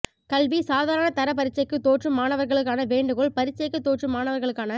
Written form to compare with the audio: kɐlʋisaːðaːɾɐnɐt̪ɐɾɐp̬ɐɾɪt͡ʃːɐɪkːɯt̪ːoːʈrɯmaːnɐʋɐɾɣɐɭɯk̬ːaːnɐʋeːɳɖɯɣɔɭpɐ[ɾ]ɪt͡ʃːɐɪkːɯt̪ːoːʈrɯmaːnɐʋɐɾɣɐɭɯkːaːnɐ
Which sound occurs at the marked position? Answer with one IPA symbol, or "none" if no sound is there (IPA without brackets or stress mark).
ɾ